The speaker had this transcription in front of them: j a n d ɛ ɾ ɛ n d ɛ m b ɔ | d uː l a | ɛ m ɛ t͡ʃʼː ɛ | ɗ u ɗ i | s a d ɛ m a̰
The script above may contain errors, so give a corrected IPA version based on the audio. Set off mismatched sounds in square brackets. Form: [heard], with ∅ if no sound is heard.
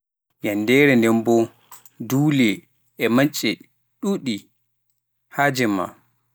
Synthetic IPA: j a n d ɛ ɾ ɛ n d ɛ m b ɔ | d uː l [ɛ] | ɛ m [a] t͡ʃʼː ɛ | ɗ u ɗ i | [h] a [d͡ʒ] ɛ m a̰